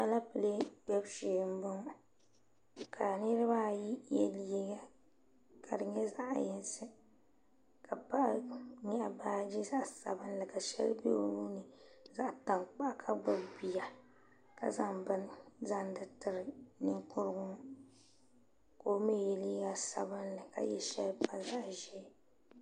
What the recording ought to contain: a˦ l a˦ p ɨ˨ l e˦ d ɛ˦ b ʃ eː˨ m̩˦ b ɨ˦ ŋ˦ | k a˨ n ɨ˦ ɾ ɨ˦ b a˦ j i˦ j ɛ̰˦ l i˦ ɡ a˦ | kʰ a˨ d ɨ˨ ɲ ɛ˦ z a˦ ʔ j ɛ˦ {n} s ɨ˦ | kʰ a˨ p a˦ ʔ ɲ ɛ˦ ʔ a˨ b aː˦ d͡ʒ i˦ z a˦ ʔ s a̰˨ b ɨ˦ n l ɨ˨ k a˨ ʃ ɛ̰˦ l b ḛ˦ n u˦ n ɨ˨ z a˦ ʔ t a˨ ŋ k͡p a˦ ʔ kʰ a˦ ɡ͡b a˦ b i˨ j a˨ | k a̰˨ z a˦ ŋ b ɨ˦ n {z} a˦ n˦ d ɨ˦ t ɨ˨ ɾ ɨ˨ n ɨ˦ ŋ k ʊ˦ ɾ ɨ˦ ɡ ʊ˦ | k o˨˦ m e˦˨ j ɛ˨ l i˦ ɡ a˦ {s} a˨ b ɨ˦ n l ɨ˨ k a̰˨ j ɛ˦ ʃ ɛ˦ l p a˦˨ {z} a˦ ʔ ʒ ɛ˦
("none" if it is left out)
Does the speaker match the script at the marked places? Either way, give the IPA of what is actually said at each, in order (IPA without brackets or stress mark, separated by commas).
n, z, s, z